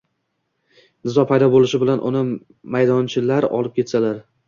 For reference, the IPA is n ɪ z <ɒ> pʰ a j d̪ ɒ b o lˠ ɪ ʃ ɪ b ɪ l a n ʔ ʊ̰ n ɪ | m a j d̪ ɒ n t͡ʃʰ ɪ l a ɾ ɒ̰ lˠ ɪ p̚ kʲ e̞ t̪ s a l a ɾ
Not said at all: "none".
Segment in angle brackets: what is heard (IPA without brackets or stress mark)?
ɒ